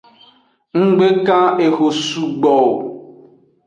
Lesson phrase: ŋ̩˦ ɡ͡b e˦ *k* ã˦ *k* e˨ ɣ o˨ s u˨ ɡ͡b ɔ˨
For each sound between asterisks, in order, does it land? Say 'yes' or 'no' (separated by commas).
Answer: yes, no